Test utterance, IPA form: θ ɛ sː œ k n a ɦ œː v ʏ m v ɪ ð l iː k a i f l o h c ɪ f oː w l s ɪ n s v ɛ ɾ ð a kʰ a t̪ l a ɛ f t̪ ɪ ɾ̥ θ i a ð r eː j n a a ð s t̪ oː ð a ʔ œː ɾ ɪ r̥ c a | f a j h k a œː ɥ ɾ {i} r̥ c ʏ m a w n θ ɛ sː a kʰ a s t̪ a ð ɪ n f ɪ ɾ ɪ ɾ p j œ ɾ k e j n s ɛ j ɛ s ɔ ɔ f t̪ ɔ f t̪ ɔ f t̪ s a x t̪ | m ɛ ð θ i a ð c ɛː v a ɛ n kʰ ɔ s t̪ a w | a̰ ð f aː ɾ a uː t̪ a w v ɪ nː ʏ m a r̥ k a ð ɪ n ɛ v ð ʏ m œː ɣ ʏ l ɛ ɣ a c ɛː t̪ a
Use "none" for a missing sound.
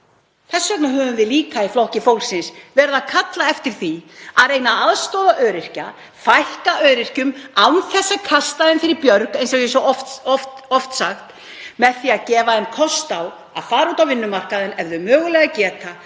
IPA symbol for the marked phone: ɪ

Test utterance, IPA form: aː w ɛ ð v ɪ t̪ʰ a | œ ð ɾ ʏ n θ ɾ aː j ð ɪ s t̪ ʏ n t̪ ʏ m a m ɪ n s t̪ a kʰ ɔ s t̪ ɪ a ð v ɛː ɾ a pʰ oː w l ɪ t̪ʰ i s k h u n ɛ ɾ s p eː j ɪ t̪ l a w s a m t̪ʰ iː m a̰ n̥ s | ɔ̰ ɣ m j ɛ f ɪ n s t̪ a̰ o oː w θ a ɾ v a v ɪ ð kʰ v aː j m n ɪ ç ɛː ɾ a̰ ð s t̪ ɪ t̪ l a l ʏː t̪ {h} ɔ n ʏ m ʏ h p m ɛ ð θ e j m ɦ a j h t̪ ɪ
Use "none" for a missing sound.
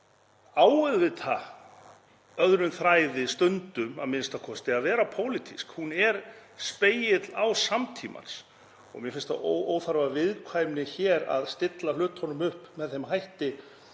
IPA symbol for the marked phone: h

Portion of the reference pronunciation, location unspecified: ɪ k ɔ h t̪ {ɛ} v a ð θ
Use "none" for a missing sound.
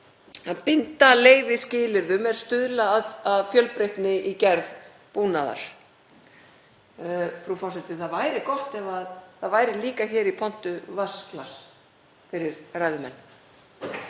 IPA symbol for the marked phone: ɛ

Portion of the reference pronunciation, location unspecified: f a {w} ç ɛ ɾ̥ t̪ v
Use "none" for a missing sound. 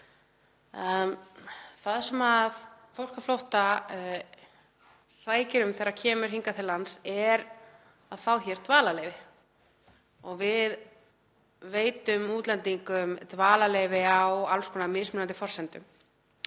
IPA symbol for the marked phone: w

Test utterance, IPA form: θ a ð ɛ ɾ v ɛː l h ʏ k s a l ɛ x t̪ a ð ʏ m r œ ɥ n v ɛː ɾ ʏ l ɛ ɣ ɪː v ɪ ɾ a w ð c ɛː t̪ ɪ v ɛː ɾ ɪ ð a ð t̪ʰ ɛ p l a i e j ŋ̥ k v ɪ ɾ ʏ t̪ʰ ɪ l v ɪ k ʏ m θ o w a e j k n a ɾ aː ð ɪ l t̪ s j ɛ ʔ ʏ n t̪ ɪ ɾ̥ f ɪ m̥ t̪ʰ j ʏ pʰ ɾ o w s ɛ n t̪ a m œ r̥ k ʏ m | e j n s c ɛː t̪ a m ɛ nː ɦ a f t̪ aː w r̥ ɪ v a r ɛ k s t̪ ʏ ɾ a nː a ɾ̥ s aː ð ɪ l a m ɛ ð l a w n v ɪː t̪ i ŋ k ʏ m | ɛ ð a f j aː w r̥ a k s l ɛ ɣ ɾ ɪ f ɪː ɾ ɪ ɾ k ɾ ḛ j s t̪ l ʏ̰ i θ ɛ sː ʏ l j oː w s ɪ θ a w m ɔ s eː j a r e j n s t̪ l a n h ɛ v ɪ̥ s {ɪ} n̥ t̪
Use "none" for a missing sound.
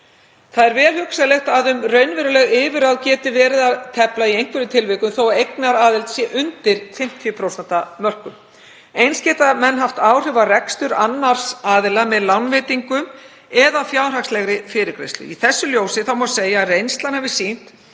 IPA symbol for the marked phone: i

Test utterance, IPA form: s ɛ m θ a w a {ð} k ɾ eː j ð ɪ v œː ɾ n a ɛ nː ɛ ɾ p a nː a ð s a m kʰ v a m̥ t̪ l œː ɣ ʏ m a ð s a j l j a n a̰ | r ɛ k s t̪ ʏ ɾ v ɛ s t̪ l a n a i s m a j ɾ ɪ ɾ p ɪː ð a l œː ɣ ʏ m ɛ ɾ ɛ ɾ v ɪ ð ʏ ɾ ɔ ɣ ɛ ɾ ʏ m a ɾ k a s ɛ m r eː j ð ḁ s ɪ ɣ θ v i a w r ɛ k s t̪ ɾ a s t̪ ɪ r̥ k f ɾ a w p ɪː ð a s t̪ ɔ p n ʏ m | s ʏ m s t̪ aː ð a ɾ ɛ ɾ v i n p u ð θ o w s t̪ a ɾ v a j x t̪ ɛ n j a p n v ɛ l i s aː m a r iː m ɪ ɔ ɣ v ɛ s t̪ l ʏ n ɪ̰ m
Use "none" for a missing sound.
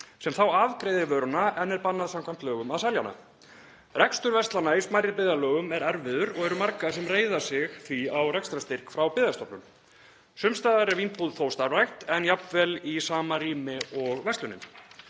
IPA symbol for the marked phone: v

